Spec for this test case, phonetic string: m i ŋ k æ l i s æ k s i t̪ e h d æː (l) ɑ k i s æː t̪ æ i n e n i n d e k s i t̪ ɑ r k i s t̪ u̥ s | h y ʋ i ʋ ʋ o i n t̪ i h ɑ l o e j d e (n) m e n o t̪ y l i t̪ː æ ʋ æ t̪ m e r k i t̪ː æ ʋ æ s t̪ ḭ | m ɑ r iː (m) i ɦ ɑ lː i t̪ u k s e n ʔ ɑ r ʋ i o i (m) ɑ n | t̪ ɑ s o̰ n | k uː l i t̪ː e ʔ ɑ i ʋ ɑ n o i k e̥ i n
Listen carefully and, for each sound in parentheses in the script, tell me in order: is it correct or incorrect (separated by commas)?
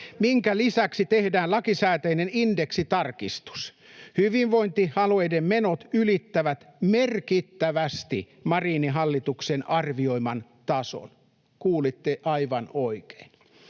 correct, incorrect, incorrect, correct